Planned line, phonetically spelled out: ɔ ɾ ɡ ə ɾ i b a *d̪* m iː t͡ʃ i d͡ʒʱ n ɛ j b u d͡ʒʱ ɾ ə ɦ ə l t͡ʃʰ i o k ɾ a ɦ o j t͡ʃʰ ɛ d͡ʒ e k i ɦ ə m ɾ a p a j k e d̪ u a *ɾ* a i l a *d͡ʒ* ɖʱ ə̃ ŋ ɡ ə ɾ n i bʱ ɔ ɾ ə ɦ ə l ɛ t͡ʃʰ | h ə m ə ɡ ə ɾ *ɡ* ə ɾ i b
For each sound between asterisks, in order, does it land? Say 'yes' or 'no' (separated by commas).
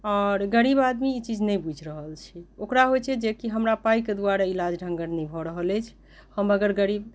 yes, yes, yes, yes